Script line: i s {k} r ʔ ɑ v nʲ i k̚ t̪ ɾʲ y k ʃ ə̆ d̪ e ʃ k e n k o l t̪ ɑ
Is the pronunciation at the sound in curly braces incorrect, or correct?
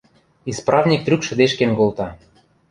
incorrect